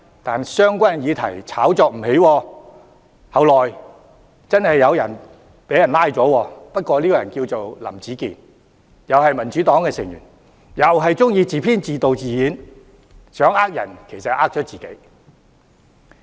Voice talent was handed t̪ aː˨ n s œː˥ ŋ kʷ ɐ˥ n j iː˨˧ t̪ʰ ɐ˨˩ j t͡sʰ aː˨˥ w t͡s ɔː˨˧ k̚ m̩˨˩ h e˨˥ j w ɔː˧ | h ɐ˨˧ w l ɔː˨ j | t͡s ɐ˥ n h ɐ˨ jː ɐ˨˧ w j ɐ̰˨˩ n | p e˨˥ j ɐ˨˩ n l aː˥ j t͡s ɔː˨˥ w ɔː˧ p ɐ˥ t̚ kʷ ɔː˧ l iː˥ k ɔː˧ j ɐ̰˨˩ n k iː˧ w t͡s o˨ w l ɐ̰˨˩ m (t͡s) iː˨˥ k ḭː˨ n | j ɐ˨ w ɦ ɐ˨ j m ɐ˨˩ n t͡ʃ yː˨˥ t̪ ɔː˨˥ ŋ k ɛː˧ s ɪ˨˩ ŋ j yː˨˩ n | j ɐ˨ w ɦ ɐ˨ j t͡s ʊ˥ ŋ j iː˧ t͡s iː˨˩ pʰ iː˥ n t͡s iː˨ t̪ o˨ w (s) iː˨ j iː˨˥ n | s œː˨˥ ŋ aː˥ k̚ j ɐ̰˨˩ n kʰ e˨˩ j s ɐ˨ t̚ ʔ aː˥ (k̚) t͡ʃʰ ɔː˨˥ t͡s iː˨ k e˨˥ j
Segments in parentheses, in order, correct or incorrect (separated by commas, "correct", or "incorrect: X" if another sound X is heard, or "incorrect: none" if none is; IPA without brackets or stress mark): correct, incorrect: t͡s, correct